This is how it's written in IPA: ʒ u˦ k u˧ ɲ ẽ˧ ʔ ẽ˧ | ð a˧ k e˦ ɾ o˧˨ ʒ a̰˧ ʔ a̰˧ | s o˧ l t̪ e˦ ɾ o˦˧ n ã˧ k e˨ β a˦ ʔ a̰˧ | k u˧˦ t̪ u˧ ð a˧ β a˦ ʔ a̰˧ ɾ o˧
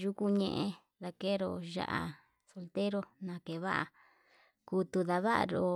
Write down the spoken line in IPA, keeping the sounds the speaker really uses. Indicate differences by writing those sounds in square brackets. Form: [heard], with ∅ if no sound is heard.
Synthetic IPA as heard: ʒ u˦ k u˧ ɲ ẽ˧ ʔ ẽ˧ | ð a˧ k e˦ ɾ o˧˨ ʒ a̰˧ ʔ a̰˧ | s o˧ l t̪ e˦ ɾ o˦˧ n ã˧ k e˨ β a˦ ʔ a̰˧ | k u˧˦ t̪ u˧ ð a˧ β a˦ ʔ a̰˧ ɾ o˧